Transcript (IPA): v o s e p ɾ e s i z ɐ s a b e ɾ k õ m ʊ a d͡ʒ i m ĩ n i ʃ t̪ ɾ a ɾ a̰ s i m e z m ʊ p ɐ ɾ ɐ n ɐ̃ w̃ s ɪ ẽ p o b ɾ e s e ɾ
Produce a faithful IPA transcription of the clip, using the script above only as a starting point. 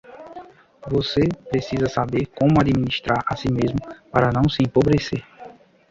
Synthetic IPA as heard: v o s e p ɾ e s i z ɐ s a b e ɾ k õ m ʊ a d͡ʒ i m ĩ n i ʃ t̪ ɾ a ɾ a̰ s i m e z m ʊ p a ɾ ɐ n ɐ̃ w̃ s ɪ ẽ p o b ɾ e s e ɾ